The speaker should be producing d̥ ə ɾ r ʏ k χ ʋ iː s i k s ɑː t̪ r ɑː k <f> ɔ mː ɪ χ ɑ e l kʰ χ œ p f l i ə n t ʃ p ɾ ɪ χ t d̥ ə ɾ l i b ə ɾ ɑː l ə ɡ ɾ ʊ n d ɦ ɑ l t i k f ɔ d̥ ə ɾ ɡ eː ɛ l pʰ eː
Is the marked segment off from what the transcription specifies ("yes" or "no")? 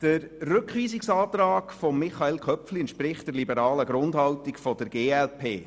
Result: no